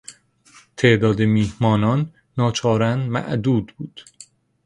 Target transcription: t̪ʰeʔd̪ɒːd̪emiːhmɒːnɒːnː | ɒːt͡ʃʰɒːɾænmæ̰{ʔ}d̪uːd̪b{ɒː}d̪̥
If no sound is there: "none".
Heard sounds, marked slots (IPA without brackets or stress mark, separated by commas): ʔ, uː